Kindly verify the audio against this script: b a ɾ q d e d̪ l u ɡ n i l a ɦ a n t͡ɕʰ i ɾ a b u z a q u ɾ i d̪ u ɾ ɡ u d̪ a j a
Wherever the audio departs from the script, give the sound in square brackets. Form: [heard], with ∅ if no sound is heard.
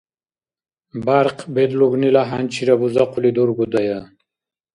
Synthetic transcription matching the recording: b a ɾ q [b] e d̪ l u ɡ n i l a ɦ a n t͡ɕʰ i ɾ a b u z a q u [l] i d̪ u ɾ ɡ u d̪ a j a